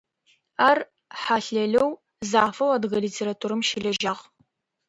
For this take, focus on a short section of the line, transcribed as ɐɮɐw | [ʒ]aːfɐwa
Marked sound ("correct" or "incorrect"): incorrect